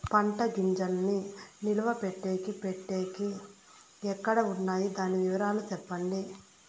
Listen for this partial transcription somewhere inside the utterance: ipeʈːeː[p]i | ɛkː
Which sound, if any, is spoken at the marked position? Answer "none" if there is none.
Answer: k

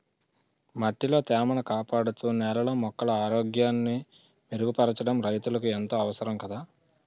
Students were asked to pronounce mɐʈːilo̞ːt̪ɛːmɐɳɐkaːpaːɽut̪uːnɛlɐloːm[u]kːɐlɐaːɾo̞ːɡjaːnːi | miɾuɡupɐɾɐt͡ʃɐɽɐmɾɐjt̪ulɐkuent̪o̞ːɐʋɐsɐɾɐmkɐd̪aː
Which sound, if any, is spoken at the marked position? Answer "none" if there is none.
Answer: ɔ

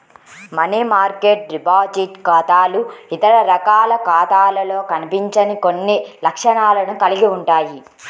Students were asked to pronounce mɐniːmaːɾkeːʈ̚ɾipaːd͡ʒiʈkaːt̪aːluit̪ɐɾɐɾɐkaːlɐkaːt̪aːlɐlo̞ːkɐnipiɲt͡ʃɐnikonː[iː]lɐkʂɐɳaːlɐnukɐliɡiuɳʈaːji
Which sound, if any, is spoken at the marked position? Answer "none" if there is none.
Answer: i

